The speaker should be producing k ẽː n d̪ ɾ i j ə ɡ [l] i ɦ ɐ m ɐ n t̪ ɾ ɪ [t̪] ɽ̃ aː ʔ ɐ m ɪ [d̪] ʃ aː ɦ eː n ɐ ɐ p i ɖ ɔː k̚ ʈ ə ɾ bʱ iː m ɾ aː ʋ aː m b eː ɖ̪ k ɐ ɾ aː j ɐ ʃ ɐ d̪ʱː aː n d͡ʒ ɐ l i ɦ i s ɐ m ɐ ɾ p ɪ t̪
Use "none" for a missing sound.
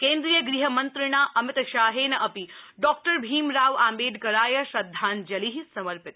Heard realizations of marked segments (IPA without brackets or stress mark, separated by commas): ɾ, none, t̪